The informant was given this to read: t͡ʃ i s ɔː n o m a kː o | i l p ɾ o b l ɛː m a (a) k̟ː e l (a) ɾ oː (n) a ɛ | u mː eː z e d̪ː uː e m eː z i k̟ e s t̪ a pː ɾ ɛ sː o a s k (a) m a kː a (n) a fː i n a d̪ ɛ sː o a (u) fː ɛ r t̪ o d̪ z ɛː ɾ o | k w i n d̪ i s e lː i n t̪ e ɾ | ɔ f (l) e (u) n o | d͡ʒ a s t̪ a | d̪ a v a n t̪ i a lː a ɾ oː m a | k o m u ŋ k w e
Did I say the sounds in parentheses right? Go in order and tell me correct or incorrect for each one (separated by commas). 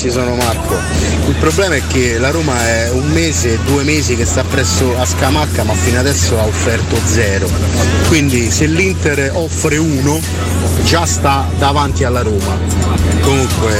incorrect, correct, incorrect, correct, incorrect, incorrect, incorrect, incorrect